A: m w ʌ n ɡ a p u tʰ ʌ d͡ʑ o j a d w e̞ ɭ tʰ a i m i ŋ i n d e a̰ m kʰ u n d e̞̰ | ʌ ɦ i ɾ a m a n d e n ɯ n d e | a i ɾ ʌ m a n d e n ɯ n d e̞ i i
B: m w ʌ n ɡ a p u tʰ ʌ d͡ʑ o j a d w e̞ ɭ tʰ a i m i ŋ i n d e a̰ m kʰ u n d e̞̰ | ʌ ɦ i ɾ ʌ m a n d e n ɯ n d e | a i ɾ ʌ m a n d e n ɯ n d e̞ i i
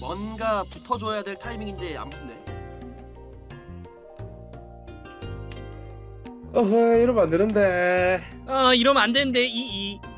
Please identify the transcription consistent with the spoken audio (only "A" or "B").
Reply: B